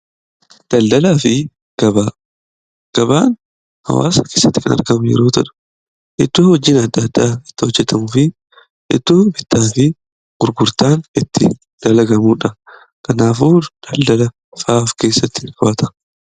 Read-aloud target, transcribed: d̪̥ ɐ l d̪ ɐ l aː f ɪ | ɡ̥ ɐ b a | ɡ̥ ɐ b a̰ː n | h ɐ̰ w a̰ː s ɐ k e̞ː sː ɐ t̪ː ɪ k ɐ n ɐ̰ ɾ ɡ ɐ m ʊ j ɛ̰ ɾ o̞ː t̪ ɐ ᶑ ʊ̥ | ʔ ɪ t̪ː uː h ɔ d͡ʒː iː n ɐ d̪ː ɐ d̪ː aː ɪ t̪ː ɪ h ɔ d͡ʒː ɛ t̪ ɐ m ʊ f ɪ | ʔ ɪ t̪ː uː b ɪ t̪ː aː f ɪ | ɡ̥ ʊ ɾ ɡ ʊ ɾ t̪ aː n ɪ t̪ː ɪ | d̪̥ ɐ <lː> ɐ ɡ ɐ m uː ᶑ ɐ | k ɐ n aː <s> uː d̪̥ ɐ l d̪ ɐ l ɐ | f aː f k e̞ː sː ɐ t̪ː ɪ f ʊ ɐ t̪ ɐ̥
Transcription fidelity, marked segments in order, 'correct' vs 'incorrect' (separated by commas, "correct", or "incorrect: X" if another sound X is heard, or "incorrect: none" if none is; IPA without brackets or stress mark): incorrect: l, incorrect: f